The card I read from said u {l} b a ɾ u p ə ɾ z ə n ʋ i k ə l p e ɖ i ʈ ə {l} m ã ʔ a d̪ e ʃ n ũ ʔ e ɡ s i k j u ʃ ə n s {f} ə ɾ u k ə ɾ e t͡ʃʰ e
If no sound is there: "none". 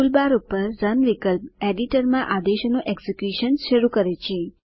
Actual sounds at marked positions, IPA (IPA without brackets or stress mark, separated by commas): l, ɾ, ʃ